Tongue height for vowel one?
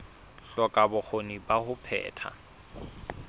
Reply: mid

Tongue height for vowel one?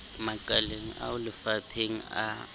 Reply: low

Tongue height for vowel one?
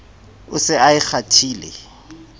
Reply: high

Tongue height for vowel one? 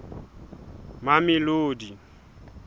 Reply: low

